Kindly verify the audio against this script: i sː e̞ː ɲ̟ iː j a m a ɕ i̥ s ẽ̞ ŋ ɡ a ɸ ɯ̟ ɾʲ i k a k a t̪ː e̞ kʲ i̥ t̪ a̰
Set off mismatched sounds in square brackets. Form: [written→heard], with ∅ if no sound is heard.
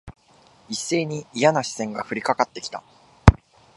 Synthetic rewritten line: i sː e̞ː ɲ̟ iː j a [m→n] a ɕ i̥ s ẽ̞ ŋ ɡ a ɸ ɯ̟ ɾʲ i k a k a t̪ː e̞ kʲ i̥ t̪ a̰